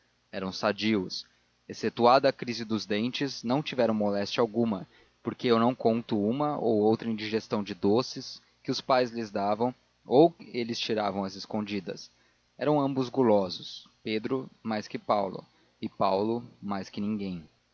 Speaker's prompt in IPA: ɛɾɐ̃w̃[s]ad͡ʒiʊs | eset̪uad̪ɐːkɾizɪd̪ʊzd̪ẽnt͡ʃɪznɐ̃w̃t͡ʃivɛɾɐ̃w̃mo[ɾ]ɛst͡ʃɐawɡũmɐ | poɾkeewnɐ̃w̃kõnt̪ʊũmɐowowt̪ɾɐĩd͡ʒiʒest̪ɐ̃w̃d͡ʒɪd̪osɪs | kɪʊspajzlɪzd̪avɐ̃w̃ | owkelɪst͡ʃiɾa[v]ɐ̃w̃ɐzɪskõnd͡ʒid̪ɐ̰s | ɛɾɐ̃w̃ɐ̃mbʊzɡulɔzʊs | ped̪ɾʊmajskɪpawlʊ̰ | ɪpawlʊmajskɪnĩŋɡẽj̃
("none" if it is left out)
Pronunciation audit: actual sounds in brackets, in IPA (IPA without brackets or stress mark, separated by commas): s, l, v